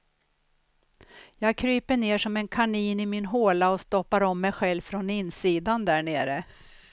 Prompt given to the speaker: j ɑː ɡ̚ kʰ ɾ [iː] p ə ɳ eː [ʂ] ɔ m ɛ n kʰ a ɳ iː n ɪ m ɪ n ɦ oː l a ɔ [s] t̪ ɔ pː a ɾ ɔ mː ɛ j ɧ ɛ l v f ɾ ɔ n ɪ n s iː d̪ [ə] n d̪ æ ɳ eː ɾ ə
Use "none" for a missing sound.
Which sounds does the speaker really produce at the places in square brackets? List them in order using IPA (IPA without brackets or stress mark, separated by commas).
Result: yː, ʂ, s, a